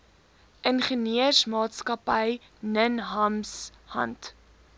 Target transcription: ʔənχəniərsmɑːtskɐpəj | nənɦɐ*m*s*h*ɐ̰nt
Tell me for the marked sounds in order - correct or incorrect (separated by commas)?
correct, correct